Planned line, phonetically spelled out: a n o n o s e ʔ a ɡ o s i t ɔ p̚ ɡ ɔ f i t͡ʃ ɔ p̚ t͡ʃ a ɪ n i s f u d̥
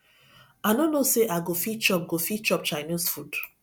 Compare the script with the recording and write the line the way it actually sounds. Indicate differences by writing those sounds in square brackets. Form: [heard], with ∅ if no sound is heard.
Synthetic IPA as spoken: a n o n o s e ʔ a ɡ o [f] i [t͡ʃ] ɔ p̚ ɡ [o] f i t͡ʃ ɔ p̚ t͡ʃ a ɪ n i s f u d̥